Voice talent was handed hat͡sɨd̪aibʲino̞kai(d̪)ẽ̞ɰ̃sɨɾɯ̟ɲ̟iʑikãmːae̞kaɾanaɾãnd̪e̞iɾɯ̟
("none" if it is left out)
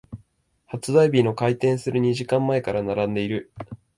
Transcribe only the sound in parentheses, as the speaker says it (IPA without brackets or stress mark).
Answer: t̪